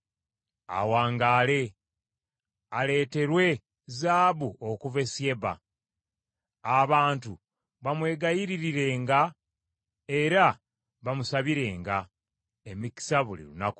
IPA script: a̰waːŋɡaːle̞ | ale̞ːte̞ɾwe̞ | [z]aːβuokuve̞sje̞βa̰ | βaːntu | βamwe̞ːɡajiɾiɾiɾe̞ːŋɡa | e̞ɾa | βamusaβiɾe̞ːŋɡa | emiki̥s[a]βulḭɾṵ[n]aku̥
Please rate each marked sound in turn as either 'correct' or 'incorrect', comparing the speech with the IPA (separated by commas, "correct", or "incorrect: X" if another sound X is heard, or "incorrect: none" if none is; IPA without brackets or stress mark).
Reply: correct, correct, correct